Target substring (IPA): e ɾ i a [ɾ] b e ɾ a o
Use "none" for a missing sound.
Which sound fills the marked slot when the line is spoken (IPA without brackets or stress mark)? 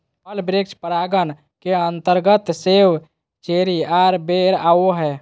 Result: ɾ